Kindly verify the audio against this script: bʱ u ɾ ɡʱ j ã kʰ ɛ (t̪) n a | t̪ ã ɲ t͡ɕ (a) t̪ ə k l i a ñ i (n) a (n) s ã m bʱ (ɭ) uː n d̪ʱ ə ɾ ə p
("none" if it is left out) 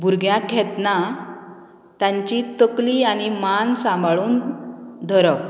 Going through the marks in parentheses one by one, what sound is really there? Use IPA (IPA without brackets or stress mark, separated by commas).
t̪, i, m, n, ɭ